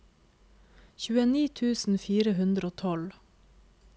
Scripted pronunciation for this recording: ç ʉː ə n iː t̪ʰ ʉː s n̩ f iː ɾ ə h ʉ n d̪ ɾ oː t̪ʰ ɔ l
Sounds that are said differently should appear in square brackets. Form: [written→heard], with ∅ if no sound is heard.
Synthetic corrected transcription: ç ʉː ə n iː t̪ʰ ʉː s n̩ f iː ɾ ə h ʉ n d̪ ɾ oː t̪ʰ ɔ l